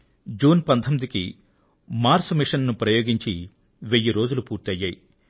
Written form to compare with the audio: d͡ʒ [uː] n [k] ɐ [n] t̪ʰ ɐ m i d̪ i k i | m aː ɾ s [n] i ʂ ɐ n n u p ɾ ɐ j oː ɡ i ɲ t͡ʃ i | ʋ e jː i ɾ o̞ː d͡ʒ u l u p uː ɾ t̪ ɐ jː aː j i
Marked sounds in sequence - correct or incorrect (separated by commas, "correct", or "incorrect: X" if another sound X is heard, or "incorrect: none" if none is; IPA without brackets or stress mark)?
correct, incorrect: p, correct, incorrect: m